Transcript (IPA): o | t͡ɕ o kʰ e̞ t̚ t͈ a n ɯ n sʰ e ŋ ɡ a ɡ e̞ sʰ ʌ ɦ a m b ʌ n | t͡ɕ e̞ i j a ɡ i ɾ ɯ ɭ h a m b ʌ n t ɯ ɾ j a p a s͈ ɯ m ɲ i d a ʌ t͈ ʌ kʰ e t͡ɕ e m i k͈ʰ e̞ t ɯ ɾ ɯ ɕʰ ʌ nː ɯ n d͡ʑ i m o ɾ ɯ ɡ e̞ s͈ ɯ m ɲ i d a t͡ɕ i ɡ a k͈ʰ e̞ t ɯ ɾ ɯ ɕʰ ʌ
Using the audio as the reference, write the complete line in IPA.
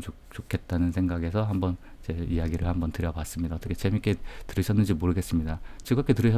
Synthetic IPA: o | t͡ɕ o kʰ e̞ t̚ t͈ a n ɯ n sʰ e ŋ ɡ a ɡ e̞ sʰ ʌ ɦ a m b ʌ n | t͡ɕ e̞ i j a ɡ i ɾ ɯ ɭ h a m b ʌ n t ɯ ɾ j ʌ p a s͈ ɯ m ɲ i d a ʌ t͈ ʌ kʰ e t͡ɕ e m i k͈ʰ e̞ t ɯ ɾ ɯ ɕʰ ʌ nː ɯ n d͡ʑ i m o ɾ ɯ ɡ e̞ s͈ ɯ m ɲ i d a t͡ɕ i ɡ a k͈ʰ e̞ t ɯ ɾ ɯ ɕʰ ʌ